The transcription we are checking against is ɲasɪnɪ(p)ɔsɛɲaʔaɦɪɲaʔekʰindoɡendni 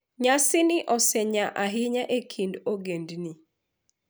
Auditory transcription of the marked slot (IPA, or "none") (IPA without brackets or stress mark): ʔ